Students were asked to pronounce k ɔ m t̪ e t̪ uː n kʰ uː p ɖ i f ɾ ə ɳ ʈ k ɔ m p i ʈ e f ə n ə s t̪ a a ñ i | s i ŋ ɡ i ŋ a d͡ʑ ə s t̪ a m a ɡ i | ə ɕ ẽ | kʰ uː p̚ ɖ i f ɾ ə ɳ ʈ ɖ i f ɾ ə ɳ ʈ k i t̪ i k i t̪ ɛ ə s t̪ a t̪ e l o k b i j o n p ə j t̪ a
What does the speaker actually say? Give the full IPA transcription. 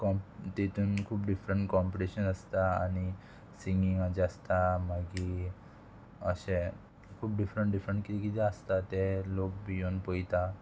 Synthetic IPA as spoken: k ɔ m t̪ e t̪ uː n kʰ uː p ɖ i f ɾ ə ɳ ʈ k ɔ m p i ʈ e ɕ ə n ə s t̪ a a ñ i | s i ŋ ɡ i ŋ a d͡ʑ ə s t̪ a m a ɡ i | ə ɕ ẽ | kʰ uː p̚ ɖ i f ɾ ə ɳ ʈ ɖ i f ɾ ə ɳ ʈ k i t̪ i k i t̪ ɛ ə s t̪ a t̪ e l o k b i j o n p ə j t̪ a